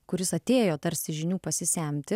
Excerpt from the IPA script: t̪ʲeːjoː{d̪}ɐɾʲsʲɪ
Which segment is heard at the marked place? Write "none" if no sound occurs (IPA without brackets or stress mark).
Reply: t̪